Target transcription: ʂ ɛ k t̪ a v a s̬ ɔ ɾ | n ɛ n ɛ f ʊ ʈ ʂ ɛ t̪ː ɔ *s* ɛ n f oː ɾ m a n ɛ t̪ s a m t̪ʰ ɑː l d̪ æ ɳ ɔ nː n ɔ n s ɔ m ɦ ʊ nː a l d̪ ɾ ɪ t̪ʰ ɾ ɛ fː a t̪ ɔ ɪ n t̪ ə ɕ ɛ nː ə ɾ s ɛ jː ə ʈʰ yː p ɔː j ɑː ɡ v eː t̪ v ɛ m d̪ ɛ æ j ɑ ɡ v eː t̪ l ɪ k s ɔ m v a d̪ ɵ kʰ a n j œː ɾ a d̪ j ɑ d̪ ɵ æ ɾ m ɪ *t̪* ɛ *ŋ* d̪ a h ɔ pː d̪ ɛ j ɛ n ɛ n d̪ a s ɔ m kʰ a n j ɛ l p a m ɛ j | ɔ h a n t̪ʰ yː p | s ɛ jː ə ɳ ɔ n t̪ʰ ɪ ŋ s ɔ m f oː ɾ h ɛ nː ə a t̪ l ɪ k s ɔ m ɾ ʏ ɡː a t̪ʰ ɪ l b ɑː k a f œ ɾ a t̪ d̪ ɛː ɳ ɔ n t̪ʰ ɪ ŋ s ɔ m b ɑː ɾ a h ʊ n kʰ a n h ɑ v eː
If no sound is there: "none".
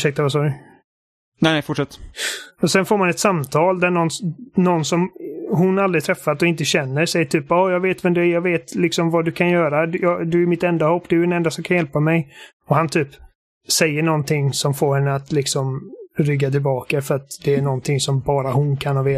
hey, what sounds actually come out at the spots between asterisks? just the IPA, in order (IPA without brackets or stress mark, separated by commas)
s, t̪, n